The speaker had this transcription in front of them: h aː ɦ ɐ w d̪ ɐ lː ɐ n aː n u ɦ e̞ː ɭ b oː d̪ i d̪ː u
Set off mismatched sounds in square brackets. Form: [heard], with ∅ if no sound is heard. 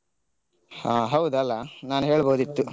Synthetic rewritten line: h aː ɦ ɐ w d̪ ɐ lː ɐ n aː n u ɦ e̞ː ɭ b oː d̪ i [t̪ː] u